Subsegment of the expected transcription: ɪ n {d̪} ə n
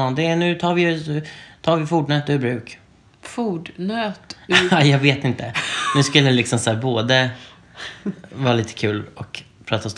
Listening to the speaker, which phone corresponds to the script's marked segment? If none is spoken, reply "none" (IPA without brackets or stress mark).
t̪